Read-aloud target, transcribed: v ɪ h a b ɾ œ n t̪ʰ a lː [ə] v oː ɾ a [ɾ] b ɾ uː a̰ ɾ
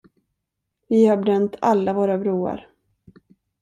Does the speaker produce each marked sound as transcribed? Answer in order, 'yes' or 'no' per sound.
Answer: no, no

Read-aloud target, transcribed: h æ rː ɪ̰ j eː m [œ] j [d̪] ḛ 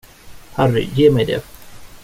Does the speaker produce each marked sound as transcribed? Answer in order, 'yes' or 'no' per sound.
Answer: no, yes

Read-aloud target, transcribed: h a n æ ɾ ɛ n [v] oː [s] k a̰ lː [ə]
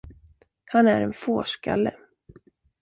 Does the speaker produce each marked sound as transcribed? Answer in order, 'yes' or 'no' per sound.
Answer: no, no, yes

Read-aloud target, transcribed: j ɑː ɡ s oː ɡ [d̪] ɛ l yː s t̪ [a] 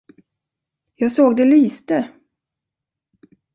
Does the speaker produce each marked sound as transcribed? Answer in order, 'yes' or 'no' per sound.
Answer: yes, no

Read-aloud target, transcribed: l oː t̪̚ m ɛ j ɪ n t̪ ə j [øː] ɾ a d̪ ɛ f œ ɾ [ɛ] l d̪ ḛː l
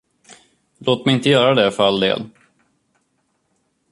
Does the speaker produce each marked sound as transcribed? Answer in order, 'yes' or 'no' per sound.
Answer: no, no

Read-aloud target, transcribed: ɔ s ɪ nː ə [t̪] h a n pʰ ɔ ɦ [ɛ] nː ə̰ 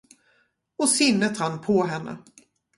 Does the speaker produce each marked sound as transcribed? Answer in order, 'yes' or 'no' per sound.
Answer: yes, yes

